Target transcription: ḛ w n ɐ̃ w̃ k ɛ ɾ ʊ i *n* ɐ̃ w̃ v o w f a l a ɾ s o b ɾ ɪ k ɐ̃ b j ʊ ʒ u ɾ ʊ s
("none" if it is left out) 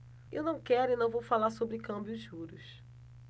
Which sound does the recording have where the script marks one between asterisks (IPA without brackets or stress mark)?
n